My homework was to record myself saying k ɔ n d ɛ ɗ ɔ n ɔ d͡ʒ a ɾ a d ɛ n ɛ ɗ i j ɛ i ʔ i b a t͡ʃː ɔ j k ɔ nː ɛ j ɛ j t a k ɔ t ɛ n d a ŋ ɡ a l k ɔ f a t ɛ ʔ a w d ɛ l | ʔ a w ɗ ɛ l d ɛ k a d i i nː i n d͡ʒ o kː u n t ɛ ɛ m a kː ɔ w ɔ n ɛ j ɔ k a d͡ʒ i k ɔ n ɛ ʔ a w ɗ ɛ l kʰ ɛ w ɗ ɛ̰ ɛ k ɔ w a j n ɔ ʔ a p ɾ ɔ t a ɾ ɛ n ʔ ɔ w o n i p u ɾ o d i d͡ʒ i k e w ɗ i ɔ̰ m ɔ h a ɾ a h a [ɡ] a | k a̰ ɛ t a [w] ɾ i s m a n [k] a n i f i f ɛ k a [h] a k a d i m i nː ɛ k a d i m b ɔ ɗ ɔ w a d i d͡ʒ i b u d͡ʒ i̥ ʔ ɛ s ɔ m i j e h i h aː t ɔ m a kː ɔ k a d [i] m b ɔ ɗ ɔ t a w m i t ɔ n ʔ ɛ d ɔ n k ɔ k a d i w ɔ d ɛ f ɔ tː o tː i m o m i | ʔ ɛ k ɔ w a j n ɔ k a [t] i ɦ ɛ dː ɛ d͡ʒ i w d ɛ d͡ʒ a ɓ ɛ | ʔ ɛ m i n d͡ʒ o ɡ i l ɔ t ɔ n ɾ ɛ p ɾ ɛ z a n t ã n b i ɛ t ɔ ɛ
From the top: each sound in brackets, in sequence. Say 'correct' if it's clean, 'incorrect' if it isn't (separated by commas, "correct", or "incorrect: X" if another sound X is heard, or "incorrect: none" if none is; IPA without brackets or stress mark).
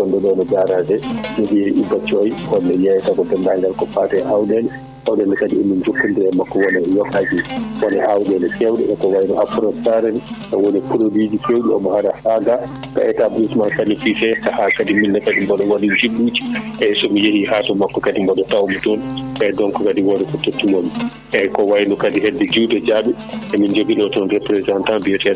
correct, incorrect: b, correct, correct, correct, incorrect: d